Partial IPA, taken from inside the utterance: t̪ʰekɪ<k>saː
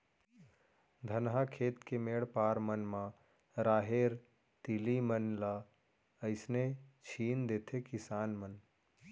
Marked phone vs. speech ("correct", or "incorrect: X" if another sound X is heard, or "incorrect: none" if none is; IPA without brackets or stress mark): incorrect: none